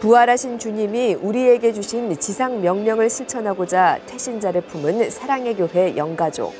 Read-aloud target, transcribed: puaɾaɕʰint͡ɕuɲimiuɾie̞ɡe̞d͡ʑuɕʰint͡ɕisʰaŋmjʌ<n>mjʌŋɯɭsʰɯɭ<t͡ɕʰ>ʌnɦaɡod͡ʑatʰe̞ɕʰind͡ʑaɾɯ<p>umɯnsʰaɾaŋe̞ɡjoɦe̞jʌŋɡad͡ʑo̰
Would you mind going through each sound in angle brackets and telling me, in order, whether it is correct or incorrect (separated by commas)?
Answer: incorrect, correct, incorrect